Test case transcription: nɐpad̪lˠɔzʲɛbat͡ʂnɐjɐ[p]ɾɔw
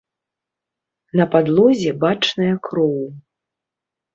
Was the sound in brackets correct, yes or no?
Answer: no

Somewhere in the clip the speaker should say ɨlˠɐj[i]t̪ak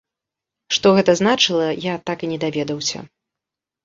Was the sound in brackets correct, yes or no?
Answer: no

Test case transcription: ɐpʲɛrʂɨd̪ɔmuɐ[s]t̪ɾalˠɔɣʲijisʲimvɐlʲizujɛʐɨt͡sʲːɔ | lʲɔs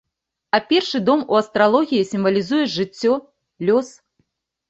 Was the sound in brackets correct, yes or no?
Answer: yes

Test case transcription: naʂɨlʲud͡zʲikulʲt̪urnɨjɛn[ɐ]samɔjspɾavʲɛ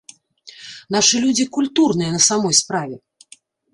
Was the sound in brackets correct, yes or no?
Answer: yes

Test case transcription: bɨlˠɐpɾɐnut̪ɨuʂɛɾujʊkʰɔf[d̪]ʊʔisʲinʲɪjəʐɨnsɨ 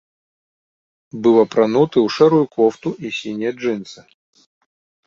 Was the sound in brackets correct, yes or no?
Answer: no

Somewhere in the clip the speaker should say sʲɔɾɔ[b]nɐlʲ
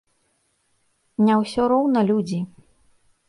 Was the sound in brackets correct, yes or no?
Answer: no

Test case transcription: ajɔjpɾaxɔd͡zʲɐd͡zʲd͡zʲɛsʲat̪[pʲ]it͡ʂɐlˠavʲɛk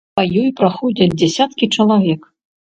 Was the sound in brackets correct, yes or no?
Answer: no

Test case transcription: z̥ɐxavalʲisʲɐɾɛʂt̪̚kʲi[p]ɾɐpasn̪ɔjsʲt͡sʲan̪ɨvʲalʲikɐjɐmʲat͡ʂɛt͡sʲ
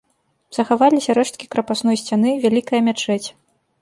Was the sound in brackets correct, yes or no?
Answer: no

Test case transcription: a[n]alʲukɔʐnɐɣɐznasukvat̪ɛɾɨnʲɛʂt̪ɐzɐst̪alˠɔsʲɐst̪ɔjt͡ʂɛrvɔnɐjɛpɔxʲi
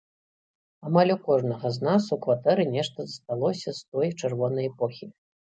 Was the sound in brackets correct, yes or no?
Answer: no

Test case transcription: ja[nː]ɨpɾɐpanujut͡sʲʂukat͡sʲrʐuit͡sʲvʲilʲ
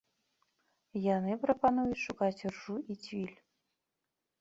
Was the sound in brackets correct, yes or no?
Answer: no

